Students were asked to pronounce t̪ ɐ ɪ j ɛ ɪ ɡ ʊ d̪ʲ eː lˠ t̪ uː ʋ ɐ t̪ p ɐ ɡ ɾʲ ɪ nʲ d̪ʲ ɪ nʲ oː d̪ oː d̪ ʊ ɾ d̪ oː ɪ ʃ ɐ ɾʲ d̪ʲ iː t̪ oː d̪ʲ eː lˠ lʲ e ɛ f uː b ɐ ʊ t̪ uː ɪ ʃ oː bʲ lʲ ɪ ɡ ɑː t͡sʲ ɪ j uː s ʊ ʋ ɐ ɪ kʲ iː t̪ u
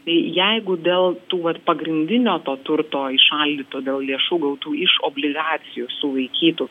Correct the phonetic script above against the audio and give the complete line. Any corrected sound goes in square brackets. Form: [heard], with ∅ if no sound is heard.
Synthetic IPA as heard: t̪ ɐ ɪ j ɛ ɪ ɡ ʊ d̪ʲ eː lˠ t̪ uː ʋ ɐ t̪ p ɐ ɡ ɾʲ ɪ nʲ d̪ʲ ɪ nʲ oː [t̪] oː [t̪] ʊ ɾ [t̪] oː ɪ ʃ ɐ [lʲ] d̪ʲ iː t̪ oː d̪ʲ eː lˠ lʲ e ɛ [ʃ] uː [ɡ] ɐ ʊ t̪ uː ɪ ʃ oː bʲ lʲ ɪ ɡ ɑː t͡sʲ ɪ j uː s ʊ ʋ ɐ ɪ kʲ iː t̪ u